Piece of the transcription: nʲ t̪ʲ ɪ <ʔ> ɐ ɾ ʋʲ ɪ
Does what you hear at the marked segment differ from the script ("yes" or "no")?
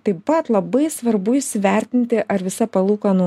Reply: no